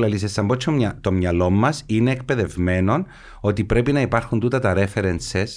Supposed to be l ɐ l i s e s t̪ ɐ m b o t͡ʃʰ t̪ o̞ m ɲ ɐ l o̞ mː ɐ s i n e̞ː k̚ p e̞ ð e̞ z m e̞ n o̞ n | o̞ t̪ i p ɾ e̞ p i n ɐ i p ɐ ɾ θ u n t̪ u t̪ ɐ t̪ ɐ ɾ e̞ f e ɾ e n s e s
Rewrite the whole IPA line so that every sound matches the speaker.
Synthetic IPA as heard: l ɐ l i s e s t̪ ɐ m b o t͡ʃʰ t̪ o̞ m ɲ ɐ l o̞ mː ɐ s i n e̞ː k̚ p e̞ ð e̞ v m e̞ n o̞ n | o̞ t̪ i p ɾ e̞ p i n ɐ i p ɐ ɾ x u n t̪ u t̪ ɐ t̪ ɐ ɾ e̞ f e ɾ e n s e s